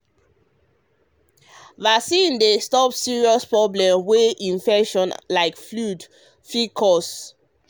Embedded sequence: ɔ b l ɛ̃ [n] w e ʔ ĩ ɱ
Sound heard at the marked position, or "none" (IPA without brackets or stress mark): m